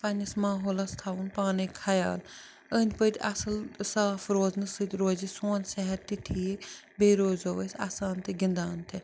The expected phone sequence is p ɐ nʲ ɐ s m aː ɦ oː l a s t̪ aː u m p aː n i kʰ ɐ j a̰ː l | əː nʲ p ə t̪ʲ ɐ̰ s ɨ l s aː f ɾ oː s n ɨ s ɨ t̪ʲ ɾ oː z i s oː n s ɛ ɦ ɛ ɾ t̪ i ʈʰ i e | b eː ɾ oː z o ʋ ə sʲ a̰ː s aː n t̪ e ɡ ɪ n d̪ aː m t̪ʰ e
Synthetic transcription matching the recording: p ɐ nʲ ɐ s m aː ɦ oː l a s t̪ʰ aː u n p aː n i kʰ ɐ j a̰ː l | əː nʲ p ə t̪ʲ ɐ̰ s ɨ l s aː f ɾ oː z n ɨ s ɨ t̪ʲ ɾ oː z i s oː n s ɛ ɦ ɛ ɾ t̪ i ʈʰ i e | b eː ɾ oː z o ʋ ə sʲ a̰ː s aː n t̪ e ɡ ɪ n d̪ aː n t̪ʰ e

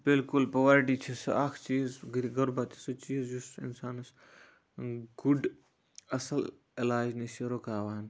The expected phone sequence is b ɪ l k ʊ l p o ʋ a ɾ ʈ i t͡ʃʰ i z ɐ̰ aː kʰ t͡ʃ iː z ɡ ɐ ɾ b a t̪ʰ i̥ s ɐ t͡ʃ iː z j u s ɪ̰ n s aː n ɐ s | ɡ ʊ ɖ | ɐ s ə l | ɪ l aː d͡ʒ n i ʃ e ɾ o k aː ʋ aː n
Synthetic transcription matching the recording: b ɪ l k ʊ l p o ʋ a ɾ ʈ i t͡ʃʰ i s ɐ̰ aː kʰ t͡ʃ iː z ɡ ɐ ɾ b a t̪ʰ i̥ s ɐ t͡ʃ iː z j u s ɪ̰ n s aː n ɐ s | ɡ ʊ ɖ | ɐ s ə l | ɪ l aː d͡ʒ n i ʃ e ɾ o k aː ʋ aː n

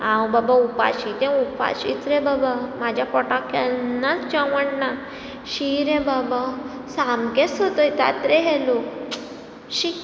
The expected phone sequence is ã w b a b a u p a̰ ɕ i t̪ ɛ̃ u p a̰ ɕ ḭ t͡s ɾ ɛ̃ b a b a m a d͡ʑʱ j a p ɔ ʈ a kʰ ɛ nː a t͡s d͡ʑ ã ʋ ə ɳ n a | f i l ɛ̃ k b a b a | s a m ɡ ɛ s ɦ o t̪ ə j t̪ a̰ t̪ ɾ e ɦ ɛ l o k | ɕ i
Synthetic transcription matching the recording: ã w b a b a u p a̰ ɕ i t̪ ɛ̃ u p a̰ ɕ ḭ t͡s ɾ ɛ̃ b a b a m a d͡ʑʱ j a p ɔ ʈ a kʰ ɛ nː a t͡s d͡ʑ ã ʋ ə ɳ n a | ɕ i ɾ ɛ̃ b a b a | s a m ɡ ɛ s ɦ o t̪ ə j t̪ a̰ t̪ ɾ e ɦ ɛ l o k | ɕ i

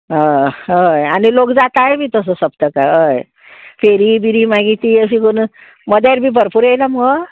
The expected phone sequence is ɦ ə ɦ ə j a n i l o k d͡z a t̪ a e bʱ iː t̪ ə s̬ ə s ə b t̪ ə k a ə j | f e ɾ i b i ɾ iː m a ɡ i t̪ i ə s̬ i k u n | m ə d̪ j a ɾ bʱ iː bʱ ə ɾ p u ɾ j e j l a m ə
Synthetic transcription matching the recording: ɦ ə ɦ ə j a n i l o k d͡z a t̪ a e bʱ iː t̪ ə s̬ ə s ə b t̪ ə k a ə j | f e ɾ i b i ɾ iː m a ɡ i t̪ i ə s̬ i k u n | m ə d̪ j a ɾ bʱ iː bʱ ə ɾ p u ɾ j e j l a m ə

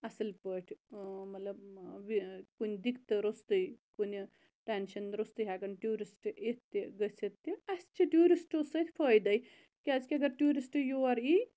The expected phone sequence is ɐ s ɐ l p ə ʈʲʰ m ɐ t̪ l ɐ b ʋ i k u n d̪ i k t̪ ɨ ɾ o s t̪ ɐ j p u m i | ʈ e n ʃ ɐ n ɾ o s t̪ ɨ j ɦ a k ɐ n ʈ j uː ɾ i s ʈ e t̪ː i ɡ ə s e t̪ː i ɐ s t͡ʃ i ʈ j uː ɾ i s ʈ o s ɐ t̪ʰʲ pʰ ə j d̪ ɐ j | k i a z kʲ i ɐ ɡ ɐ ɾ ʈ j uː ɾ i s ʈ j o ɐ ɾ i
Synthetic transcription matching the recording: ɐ s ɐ l p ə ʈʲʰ m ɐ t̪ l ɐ b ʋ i k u n d̪ i k t̪ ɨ ɾ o s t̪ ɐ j k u n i | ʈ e n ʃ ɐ n ɾ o s t̪ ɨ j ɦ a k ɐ n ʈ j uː ɾ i s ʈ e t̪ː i ɡ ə s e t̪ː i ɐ s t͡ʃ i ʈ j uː ɾ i s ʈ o s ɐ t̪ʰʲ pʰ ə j d̪ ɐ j | k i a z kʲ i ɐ ɡ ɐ ɾ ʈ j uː ɾ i s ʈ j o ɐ ɾ i

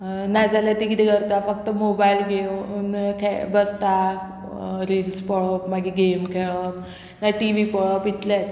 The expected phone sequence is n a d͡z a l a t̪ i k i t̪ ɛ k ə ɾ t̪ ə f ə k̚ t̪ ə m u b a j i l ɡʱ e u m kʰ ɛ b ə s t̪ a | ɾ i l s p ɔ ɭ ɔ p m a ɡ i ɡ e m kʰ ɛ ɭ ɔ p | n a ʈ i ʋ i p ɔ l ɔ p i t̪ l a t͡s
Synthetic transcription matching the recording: n a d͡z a l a t̪ i k i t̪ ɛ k ə ɾ t̪ a f ə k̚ t̪ ə m o b a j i l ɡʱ e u n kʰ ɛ b ə s t̪ a | ɾ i l s p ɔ ɭ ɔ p m a ɡ i ɡ e m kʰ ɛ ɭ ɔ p | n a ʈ i ʋ i p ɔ ɭ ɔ p i t̪ l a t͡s

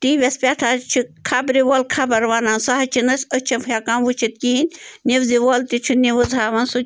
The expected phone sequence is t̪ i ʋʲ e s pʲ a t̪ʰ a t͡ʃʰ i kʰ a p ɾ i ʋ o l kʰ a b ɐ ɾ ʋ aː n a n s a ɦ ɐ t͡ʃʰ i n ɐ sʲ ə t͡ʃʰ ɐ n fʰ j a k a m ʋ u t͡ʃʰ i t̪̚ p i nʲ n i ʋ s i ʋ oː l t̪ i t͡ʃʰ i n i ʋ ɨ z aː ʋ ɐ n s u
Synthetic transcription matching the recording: t̪ i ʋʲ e s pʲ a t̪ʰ a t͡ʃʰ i kʰ a b ɾ i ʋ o l kʰ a b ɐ ɾ ʋ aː n a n s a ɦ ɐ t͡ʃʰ i n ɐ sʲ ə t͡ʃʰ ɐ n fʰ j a k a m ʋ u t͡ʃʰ i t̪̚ k i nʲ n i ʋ z i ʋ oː l t̪ i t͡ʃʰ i n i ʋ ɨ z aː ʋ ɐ n s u

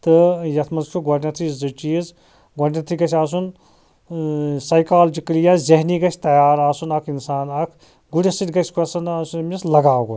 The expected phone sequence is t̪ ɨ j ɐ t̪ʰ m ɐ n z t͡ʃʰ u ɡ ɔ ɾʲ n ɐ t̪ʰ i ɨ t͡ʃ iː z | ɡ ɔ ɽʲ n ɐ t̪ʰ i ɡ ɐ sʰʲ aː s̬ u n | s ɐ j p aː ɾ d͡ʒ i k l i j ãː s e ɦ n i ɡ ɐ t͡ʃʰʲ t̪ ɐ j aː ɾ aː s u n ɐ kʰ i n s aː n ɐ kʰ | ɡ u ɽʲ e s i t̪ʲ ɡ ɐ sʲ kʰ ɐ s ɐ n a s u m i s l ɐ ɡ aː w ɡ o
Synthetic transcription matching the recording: t̪ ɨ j ɐ t̪ʰ m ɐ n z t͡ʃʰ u ɡ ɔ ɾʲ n ɐ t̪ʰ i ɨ t͡ʃ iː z | ɡ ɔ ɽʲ n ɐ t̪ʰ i ɡ ɐ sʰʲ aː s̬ u n | s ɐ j k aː l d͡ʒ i k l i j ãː z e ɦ n i ɡ ɐ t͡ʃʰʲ t̪ ɐ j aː ɾ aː s u n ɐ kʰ i n s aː n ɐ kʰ | ɡ u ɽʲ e s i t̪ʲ ɡ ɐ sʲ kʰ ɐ s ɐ n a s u m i s l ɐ ɡ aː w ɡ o

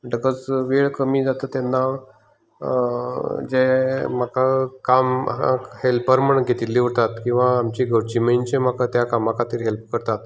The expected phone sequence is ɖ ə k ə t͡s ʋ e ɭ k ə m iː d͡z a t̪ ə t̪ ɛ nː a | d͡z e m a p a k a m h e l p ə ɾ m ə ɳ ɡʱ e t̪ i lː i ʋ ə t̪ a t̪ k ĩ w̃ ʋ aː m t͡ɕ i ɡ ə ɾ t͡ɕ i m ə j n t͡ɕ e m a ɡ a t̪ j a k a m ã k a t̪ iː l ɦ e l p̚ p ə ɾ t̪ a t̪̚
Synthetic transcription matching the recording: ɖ ə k ə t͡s ʋ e ɭ k ə m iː d͡z a t̪ ə t̪ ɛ nː a | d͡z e m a k a k a m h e l p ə ɾ m ə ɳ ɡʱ e t̪ i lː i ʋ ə t̪ a t̪ k ĩ w̃ ʋ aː m t͡ɕ i ɡ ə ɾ t͡ɕ i m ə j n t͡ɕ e m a k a t̪ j a k a m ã k a t̪ iː ɾ ɦ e l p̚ k ə ɾ t̪ a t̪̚

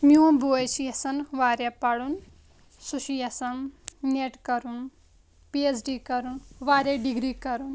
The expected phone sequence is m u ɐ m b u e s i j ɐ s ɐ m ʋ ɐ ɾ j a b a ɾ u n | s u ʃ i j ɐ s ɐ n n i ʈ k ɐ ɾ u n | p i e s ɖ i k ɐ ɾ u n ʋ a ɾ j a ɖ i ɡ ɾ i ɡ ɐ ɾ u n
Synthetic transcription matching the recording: m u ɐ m b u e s i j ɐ s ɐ n ʋ a ɾ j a p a ɽ u n | s u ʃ i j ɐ s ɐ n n e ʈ k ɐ ɾ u n | p i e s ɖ i k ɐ ɾ u n ʋ a ɾ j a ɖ i ɡ ɾ i k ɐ ɾ u n

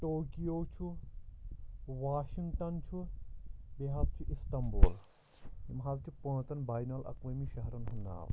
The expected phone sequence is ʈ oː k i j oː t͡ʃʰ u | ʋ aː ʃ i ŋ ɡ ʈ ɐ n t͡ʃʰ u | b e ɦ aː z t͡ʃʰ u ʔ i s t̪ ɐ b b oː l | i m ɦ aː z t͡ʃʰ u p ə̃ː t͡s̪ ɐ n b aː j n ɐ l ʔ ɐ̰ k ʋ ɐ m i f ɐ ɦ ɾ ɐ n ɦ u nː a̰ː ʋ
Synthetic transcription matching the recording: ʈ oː k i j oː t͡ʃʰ u | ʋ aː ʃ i ŋ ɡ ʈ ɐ n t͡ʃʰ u | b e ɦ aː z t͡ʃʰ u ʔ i s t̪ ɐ m b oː l | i m ɦ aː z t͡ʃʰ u p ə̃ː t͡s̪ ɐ n b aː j n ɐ l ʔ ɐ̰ k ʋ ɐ m i ʃ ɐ ɦ ɾ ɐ n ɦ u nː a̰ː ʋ

